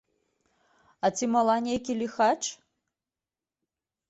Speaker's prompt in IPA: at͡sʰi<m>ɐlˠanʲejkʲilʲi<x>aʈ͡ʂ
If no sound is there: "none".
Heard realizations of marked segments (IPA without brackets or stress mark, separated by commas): m, x